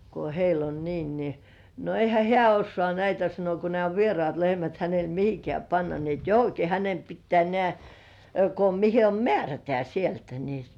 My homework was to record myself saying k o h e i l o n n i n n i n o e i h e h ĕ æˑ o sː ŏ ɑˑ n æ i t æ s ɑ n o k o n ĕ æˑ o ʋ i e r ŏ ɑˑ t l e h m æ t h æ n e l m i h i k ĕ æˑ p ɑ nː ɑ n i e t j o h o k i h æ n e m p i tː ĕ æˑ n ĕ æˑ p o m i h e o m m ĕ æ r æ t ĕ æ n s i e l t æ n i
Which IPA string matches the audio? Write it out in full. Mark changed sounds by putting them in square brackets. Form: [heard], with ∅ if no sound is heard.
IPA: k o h e i l o n n [iː] n n i n o e i h [æ] h ĕ æˑ o sː ŏ ɑˑ n æ i t æ s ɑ n o k o n ĕ æˑ o ʋ i e r ŏ ɑˑ t l e h m æ t h æ n e l m i h i k ĕ æˑ p ɑ nː ɑ n i e t j o h o k i h æ n e m p i tː ĕ æˑ n ĕ æˑ [k] o m i h e o m m ĕ æ r æ t ĕ æ [∅] s i e l t æ n i